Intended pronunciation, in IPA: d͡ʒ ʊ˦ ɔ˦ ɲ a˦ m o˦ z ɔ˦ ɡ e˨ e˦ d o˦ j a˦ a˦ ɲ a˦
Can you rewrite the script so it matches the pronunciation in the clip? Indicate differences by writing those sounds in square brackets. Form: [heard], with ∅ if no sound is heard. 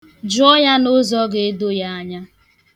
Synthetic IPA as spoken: d͡ʒ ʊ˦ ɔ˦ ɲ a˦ [n] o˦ z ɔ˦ ɡ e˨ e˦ d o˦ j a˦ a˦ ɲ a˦